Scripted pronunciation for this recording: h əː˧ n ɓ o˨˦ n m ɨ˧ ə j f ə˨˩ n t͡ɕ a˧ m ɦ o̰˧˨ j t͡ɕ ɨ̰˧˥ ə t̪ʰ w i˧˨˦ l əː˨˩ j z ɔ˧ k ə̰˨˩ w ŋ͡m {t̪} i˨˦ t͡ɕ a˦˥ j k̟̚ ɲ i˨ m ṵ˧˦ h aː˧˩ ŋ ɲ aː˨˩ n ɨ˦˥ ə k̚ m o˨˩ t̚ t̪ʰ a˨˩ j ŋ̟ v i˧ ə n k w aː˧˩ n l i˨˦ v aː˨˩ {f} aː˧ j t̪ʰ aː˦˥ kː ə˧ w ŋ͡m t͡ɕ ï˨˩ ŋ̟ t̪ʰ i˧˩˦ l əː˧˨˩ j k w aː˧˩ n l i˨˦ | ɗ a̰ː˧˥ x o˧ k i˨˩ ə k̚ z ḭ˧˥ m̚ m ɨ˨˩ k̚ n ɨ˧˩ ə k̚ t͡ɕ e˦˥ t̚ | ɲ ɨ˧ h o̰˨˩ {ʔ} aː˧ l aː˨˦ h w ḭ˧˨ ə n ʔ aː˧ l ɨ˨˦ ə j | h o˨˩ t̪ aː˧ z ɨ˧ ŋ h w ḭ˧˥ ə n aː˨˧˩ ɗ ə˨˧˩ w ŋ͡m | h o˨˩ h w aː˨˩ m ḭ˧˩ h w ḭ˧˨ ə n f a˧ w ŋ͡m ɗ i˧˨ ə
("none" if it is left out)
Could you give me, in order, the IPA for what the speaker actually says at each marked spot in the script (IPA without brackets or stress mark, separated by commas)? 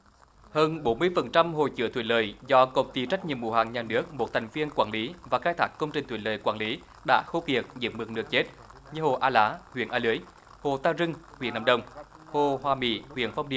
t̪, x, ʔ